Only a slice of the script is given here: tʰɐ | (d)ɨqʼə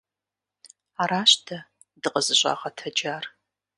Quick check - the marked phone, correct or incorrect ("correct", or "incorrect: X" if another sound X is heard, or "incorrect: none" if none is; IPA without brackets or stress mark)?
correct